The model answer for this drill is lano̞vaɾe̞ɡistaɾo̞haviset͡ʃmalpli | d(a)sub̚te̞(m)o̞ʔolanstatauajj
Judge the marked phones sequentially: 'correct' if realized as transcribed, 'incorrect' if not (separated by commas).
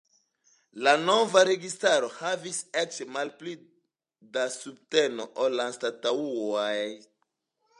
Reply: correct, incorrect